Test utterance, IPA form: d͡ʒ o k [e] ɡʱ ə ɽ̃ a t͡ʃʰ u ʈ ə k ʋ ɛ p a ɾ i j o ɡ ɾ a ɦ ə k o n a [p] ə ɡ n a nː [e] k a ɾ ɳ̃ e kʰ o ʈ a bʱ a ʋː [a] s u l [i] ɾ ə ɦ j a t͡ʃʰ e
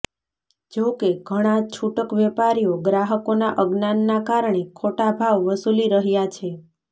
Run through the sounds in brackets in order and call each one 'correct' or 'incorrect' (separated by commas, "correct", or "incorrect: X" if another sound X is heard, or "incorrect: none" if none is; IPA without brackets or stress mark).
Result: correct, incorrect: ʔ, incorrect: a, incorrect: ə, correct